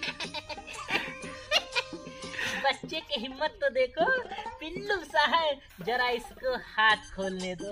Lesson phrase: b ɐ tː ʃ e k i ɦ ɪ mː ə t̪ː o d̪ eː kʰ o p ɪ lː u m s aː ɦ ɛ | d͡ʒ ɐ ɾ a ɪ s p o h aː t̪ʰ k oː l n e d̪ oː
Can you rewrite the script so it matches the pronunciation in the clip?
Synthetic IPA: b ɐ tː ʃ e k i ɦ ɪ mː ə t̪ː o d̪ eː kʰ o p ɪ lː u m s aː ɦ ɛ | d͡ʒ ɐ ɾ a ɪ s k o h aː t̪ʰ kʰ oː l n e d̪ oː